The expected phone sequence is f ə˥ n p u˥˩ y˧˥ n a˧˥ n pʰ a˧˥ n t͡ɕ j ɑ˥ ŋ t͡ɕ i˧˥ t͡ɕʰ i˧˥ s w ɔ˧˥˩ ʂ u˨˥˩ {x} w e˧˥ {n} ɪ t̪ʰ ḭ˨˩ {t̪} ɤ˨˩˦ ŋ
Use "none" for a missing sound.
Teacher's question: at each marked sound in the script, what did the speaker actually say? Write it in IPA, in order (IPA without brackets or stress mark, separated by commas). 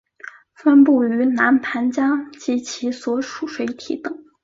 ʂ, none, t̪